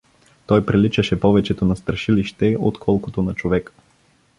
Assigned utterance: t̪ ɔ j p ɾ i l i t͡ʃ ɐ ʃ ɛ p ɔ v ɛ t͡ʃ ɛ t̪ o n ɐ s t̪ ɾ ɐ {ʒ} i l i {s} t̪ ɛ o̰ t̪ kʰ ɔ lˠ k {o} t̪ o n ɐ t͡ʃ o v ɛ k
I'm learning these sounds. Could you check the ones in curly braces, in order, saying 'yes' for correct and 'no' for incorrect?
no, no, yes

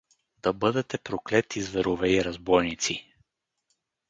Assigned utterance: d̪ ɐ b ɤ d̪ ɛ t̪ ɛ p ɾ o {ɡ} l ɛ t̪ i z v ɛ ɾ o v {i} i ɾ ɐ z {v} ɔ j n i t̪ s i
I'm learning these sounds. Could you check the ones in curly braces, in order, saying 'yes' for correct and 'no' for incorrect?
no, no, no

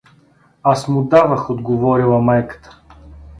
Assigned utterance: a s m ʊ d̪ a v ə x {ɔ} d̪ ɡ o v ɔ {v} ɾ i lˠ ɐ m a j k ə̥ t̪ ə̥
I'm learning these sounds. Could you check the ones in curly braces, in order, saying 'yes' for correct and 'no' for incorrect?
no, no

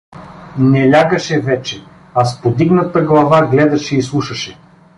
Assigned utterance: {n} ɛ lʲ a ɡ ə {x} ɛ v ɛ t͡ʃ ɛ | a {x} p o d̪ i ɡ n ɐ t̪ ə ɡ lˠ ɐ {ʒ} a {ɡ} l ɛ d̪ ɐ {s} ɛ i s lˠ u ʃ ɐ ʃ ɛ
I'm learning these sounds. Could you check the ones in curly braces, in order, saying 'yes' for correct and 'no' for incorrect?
yes, no, no, no, yes, no

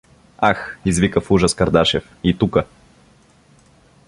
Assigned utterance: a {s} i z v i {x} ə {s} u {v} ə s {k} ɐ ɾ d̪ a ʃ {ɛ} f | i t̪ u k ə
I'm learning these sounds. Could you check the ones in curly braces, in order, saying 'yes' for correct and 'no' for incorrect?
no, no, no, no, yes, yes

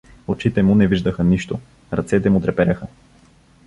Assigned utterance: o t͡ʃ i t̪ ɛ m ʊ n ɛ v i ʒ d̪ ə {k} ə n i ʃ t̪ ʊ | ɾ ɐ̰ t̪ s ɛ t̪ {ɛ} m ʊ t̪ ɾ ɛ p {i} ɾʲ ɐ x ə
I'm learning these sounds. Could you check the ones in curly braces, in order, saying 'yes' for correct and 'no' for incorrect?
no, yes, no

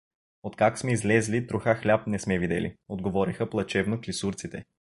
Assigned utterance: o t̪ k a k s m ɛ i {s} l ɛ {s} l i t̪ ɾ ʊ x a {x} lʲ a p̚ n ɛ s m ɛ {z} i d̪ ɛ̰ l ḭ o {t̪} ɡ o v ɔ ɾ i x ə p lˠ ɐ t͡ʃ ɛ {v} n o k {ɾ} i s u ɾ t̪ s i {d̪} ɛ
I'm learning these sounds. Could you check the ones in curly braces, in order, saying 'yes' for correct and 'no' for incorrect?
no, no, yes, no, no, yes, no, no

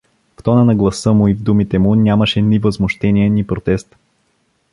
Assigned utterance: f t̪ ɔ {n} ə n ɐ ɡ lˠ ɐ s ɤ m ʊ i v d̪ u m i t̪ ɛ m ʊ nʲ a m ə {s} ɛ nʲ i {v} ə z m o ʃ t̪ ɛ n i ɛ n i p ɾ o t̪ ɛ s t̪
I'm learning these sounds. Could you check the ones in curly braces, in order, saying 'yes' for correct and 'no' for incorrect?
yes, no, yes

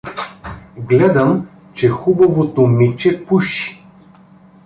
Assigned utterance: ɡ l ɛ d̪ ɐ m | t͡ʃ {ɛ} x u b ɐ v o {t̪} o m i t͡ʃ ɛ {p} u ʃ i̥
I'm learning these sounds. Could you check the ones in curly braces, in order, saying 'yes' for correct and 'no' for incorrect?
yes, yes, yes

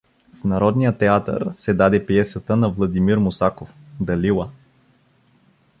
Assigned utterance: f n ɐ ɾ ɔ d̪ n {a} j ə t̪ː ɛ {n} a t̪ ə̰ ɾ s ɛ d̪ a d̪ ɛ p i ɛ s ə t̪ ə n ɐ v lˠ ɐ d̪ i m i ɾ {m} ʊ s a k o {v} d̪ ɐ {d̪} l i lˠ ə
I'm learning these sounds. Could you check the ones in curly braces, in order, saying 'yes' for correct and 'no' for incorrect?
no, no, yes, no, no

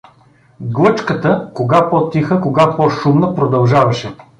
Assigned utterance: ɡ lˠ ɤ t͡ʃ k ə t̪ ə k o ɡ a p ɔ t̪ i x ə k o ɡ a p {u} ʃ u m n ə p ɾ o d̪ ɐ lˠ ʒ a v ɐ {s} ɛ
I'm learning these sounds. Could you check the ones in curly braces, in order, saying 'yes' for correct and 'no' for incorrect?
no, no

